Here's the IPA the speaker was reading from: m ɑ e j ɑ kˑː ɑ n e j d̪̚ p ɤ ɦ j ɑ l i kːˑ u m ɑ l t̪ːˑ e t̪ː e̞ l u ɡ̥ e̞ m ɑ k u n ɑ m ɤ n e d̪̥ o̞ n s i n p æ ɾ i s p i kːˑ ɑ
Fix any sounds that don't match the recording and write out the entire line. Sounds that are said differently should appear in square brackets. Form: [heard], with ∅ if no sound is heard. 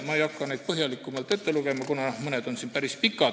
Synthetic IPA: m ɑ e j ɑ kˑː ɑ n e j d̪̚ p ɤ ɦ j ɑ l i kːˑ u m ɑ l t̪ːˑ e t̪ː e̞ l u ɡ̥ e̞ m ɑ k u n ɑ m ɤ n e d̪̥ o̞ n s i n p æ ɾ i s p i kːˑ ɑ